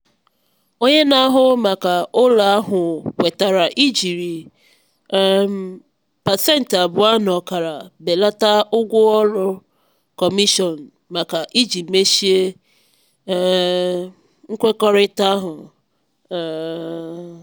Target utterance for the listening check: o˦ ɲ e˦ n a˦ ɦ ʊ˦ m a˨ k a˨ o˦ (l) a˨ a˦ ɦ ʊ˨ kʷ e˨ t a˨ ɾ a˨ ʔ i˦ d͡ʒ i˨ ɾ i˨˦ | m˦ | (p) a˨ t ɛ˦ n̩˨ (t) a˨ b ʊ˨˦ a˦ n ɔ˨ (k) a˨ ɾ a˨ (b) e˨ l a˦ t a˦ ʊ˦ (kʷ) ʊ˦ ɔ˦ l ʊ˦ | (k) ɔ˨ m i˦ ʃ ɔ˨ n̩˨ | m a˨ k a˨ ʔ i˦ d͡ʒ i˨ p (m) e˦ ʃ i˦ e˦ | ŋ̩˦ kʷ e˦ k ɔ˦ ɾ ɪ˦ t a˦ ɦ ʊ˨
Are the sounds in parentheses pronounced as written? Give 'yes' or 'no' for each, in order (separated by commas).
yes, yes, yes, yes, yes, no, yes, yes